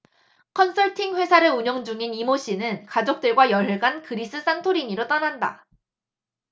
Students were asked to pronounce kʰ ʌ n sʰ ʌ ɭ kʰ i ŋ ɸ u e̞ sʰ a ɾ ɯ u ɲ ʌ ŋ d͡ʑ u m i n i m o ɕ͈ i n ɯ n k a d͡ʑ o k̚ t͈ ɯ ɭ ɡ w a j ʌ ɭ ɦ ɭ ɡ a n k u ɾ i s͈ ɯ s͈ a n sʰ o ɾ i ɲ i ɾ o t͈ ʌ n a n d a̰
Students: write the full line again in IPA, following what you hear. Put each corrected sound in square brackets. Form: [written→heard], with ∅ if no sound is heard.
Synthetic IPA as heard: kʰ ʌ n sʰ ʌ ɭ [kʰ→tʰ] i ŋ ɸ [u→w] e̞ sʰ a ɾ ɯ u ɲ ʌ ŋ d͡ʑ u [m→ŋ] i n i m o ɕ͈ i n ɯ n k a d͡ʑ o k̚ t͈ ɯ ɭ ɡ w a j ʌ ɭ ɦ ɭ ɡ a n k [u→ɯ] ɾ i s͈ ɯ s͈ a n [sʰ→tʰ] o ɾ i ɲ i ɾ o t͈ ʌ n a n d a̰

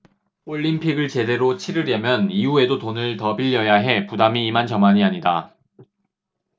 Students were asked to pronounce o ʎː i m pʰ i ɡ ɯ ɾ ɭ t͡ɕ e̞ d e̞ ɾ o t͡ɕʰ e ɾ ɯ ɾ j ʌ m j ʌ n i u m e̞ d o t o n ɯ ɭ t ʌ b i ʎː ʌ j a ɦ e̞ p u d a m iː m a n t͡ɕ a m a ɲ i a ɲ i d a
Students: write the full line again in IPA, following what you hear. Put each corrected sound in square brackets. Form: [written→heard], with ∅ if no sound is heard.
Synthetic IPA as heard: o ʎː i m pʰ i ɡ ɯ [ɾ→∅] ɭ t͡ɕ e̞ d e̞ ɾ o t͡ɕʰ [e→i] ɾ ɯ ɾ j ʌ m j ʌ n i u [m→∅] e̞ d o t o n ɯ ɭ t ʌ b i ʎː ʌ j a ɦ e̞ p u d a m iː m a n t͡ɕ [a→ʌ] m a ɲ i a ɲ i d a

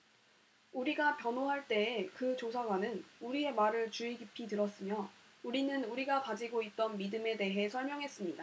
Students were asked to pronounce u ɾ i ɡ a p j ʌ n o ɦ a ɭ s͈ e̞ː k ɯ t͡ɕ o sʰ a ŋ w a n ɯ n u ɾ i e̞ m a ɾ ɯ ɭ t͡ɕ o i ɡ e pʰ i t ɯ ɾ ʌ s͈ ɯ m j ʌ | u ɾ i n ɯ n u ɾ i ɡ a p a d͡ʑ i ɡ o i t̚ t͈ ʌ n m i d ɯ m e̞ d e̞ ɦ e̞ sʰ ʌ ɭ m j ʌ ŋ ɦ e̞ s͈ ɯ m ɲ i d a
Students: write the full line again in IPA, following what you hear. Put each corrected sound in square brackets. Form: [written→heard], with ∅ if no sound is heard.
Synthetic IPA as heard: u ɾ i ɡ a p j ʌ n o ɦ a ɭ [s͈→t͈] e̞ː k ɯ t͡ɕ o sʰ a [ŋ→ɡ] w a n ɯ n u ɾ i e̞ m a ɾ ɯ ɭ t͡ɕ [o→u] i ɡ [e→i] pʰ i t ɯ ɾ ʌ s͈ ɯ m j ʌ | u ɾ i n ɯ n u ɾ i ɡ a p a d͡ʑ i ɡ o i t̚ t͈ ʌ n m i d ɯ m e̞ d e̞ ɦ e̞ sʰ ʌ ɭ m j ʌ ŋ ɦ e̞ s͈ ɯ m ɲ i d a

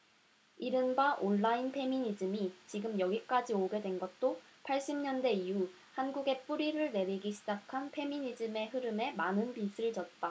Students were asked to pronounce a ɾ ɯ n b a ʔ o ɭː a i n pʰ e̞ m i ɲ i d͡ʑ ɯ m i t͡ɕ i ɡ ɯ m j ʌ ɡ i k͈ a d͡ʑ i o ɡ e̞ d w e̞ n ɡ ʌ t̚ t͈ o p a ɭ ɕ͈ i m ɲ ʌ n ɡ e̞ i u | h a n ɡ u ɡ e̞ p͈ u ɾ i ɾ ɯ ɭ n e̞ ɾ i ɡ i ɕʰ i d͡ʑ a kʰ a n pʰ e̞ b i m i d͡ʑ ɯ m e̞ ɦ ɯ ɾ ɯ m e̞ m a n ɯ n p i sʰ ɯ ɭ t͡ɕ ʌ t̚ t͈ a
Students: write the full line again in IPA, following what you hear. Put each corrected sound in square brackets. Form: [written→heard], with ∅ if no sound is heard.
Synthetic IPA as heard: [a→i] ɾ ɯ n b a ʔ o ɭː a i n pʰ e̞ m i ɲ i d͡ʑ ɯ m i t͡ɕ i ɡ ɯ m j ʌ ɡ i k͈ a d͡ʑ i o ɡ e̞ d w e̞ n ɡ ʌ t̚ t͈ o [p→pʰ] a ɭ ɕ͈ i m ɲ ʌ n [ɡ→d] e̞ i u | h a n ɡ u ɡ e̞ p͈ u ɾ i ɾ ɯ ɭ n e̞ ɾ i ɡ i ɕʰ i d͡ʑ a kʰ a n pʰ e̞ [b→m] i [m→ɲ] i d͡ʑ ɯ m e̞ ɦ ɯ ɾ ɯ m e̞ m a n ɯ n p i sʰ ɯ ɭ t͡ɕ ʌ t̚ t͈ a

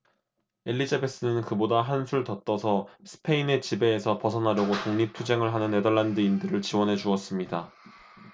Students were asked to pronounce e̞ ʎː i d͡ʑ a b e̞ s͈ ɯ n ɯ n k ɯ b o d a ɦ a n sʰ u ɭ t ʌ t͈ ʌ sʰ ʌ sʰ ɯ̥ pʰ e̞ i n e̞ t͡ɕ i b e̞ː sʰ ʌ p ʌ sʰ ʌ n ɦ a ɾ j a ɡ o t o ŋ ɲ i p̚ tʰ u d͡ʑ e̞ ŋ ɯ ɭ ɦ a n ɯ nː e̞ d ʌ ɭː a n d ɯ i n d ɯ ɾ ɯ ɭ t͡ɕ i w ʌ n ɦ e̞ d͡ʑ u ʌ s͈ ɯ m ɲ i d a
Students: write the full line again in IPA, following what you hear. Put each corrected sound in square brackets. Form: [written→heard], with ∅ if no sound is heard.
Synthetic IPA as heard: e̞ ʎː i d͡ʑ a b e̞ s͈ ɯ n ɯ n k ɯ b o d a ɦ a n sʰ u ɭ t ʌ t͈ ʌ sʰ ʌ sʰ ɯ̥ pʰ e̞ i n e̞ t͡ɕ i b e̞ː sʰ ʌ p ʌ sʰ ʌ n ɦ a ɾ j [a→ʌ] ɡ o t o ŋ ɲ i p̚ tʰ u d͡ʑ e̞ ŋ ɯ ɭ ɦ a n ɯ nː e̞ d ʌ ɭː a n d ɯ i n d ɯ ɾ ɯ ɭ t͡ɕ i w ʌ n ɦ e̞ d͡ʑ u ʌ s͈ ɯ m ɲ i d a

